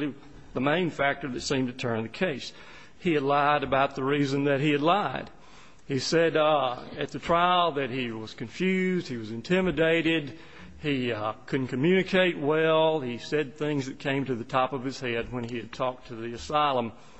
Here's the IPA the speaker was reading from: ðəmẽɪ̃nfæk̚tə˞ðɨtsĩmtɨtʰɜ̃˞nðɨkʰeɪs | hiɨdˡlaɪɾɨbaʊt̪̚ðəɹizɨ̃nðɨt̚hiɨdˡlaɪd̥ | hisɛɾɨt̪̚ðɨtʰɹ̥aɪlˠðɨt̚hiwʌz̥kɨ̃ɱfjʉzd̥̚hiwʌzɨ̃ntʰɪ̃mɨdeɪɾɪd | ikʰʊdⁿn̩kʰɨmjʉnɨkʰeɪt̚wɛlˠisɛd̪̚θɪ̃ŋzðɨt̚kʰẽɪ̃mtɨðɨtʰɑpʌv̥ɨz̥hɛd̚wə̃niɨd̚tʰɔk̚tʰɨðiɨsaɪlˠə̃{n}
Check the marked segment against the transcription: incorrect: m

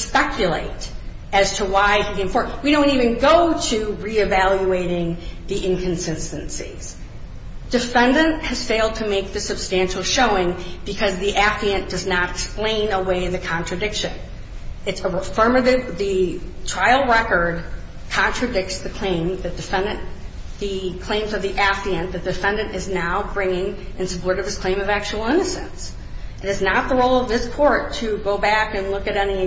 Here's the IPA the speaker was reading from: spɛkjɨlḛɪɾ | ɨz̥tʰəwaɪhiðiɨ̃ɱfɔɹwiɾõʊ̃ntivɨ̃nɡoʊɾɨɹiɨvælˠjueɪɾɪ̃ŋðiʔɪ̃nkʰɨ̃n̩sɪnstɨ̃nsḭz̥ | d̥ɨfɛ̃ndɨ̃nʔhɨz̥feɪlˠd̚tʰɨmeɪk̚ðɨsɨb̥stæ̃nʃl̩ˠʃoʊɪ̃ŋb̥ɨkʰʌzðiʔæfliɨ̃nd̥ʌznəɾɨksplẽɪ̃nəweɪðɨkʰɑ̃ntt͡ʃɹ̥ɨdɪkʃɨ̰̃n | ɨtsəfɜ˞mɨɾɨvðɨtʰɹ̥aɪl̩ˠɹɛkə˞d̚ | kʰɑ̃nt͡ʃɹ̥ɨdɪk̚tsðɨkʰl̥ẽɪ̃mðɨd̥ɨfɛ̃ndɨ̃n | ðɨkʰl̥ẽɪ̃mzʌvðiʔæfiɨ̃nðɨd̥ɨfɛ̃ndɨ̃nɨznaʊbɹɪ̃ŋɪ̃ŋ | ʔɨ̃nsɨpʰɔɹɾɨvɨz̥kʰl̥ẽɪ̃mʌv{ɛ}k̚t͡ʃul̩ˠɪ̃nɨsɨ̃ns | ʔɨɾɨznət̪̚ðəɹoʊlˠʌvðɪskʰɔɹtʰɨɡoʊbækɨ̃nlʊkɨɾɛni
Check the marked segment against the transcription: incorrect: æ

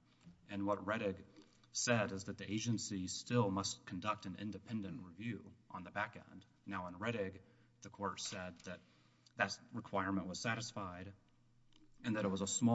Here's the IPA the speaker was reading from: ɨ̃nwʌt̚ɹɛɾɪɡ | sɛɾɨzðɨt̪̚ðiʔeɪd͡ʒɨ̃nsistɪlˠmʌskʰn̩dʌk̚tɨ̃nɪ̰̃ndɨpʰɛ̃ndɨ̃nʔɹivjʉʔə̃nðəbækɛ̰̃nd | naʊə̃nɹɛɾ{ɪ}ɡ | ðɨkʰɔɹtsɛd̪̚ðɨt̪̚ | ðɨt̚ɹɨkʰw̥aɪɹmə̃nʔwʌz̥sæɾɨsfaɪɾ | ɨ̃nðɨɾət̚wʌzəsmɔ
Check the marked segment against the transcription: correct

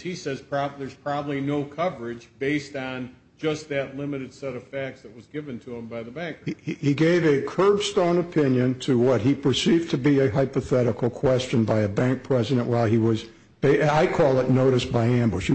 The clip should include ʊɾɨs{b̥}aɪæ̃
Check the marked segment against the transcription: correct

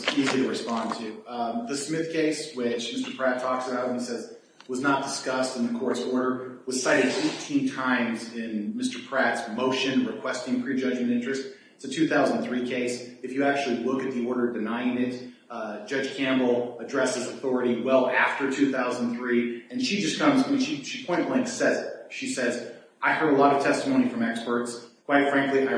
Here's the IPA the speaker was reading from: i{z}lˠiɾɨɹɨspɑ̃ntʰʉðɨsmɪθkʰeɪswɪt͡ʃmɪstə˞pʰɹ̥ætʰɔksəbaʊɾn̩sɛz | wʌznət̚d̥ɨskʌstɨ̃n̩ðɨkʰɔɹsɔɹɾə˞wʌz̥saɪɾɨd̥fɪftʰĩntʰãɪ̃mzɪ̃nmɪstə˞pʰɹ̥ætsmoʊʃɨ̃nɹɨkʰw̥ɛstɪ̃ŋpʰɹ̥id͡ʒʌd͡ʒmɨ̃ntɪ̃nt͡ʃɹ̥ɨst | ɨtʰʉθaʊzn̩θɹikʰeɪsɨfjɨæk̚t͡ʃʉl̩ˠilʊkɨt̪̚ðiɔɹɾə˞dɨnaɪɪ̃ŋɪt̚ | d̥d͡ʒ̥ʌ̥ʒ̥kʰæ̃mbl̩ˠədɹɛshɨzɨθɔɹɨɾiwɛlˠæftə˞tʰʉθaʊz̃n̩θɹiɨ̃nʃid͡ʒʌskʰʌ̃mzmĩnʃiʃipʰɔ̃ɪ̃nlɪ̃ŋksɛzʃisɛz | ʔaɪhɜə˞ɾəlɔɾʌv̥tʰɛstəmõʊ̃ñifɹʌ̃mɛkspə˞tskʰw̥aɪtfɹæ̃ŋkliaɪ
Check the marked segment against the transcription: correct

